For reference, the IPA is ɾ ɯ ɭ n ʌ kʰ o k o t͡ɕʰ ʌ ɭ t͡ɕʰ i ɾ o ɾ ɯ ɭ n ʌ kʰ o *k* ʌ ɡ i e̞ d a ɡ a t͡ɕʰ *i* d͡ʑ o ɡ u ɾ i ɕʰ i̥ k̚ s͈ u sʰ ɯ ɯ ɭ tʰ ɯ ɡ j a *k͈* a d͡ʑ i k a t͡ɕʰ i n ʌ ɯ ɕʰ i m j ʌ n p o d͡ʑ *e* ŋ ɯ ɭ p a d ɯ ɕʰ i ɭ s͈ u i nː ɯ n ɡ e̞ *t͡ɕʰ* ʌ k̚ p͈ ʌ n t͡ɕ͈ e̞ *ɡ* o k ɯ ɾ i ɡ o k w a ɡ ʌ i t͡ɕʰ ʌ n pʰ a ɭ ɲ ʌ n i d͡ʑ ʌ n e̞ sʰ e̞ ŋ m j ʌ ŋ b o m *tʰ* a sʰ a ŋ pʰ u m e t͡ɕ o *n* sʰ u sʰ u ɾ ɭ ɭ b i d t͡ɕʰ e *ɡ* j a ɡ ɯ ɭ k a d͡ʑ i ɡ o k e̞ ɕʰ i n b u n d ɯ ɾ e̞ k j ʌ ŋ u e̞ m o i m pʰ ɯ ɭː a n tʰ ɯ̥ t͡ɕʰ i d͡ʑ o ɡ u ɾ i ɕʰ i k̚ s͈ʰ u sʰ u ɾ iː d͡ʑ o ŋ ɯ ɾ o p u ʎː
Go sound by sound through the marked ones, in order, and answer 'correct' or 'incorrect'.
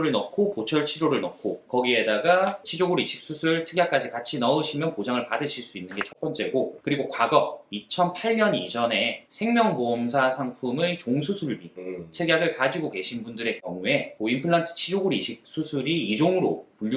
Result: correct, correct, correct, incorrect, correct, correct, incorrect, incorrect, correct

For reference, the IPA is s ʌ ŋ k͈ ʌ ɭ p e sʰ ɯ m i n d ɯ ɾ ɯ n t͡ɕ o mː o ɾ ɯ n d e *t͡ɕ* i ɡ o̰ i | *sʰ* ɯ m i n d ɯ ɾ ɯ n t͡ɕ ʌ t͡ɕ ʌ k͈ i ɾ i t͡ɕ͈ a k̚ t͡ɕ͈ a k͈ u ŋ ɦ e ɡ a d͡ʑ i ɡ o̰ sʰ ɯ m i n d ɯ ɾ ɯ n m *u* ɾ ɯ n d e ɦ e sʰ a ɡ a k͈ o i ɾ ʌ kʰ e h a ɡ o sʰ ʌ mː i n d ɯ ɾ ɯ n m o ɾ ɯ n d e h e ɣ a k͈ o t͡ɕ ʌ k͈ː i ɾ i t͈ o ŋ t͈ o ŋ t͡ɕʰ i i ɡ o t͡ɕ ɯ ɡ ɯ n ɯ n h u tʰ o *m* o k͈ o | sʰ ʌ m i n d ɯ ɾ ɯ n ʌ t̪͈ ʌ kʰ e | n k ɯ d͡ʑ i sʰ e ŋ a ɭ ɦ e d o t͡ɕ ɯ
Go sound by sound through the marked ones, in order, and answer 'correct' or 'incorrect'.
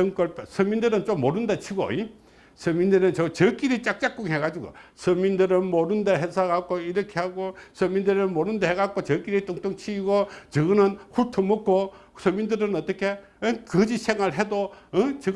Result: incorrect, correct, incorrect, correct

